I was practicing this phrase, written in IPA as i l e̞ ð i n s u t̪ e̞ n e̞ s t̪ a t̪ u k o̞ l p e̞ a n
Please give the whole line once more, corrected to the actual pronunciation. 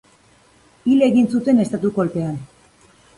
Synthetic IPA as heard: i l e̞ ɣ i n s u t̪ e̞ n e̞ s t̪ a t̪ u k o̞ l p e̞ a n